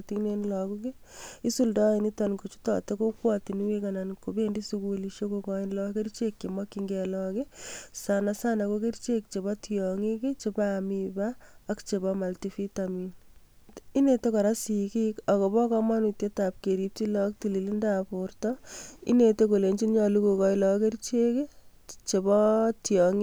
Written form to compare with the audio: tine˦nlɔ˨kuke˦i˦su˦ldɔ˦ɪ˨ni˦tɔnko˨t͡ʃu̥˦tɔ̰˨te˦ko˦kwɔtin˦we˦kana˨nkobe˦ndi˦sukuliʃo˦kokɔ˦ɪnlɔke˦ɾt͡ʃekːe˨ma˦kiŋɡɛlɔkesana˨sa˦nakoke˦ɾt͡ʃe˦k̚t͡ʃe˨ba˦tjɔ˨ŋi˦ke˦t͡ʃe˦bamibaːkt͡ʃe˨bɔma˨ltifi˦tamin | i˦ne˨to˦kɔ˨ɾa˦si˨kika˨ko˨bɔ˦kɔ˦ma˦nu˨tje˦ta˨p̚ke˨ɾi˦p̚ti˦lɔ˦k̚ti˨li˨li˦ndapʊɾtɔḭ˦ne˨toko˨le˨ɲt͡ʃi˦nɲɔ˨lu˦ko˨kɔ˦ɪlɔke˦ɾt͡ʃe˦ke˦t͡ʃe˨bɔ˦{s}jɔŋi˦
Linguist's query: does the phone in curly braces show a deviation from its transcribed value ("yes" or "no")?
yes